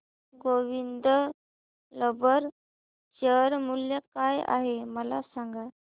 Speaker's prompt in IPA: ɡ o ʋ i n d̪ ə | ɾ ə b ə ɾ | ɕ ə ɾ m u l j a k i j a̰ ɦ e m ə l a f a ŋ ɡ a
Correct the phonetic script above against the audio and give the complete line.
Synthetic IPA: ɡ o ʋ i n d̪ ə | l ə b ə ɾ | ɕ ə ɾ m u l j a k a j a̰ ɦ e m ə l a s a ŋ ɡ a

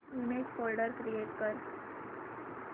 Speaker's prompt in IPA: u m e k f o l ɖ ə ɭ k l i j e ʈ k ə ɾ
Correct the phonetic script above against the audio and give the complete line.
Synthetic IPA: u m e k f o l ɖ ə ɾ k ɾ i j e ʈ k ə ɾ

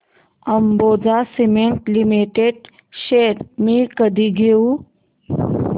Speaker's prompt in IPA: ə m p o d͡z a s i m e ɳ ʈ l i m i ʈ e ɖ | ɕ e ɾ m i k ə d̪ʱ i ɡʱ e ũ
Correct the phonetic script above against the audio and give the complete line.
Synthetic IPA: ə m b o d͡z a s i m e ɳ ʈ l i m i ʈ e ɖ | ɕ e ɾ m i k ə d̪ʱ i ɡʱ e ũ

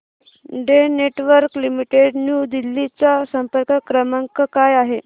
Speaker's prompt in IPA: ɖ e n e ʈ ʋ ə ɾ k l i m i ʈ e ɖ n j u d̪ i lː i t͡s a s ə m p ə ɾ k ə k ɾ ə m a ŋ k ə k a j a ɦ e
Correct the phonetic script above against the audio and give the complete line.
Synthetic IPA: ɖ e n e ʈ ʋ ə ɾ k l i m i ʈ e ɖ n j u d̪ i lː i t͡s a s ə m p ə ɾ k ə k ɾ ə m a ŋ k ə k a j a ɦ e

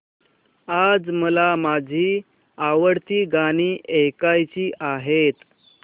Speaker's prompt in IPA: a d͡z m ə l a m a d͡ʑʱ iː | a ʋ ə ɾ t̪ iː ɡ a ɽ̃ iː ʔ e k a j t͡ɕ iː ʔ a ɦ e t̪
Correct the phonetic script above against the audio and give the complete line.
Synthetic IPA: a d͡z m ə l a m a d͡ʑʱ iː | a ʋ ə ɽ t̪ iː ɡ a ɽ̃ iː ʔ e k a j t͡ɕ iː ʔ a ɦ e t̪

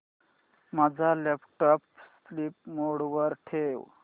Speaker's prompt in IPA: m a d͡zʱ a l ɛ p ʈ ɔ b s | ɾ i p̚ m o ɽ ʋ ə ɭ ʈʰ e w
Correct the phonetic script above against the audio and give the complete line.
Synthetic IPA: m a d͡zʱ a l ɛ p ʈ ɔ p s | l i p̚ m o ɽ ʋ ə ɾ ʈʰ e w

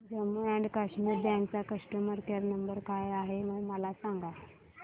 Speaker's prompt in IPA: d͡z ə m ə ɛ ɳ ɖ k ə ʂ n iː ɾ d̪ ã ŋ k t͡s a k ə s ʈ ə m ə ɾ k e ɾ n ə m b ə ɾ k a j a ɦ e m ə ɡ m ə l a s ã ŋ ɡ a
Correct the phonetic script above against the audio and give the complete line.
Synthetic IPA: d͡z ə m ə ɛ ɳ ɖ k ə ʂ m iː ɾ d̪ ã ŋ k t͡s a k ə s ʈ ə m ə ɾ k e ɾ n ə m b ə ɾ k a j a ɦ e m ə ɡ m ə l a s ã ŋ ɡ a

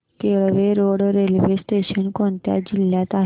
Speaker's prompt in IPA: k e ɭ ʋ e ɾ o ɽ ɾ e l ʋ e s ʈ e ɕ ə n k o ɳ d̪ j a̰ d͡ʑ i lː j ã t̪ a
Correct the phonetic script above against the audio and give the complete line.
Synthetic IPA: k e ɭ ʋ e ɾ o ɽ ɾ e l ʋ e s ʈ e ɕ ə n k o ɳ t̪ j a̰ d͡ʑ i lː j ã t̪ a

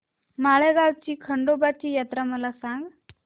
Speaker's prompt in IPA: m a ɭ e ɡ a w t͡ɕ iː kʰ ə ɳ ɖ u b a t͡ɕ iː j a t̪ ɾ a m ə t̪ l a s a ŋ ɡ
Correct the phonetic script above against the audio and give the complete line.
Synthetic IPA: m a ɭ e ɡ a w t͡ɕ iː kʰ ə ɳ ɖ o b a t͡ɕ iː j a t̪ ɾ a m ə l a s a ŋ ɡ

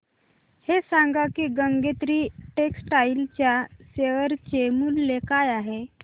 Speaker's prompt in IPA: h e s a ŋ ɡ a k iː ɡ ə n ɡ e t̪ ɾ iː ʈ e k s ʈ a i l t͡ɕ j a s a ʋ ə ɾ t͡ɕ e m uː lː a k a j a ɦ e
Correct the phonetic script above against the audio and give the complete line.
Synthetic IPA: h e s a ŋ ɡ a k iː ɡ ə ŋ ɡ e t̪ ɾ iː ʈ e k s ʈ a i l t͡ɕ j a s e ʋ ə ɾ t͡ɕ e m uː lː e k a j a ɦ e

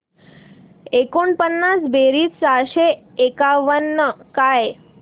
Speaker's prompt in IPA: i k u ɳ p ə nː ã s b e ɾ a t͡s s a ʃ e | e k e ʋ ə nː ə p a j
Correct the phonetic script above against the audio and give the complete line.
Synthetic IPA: e k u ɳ p ə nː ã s b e ɾ i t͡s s a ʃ e | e k a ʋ ə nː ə k a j

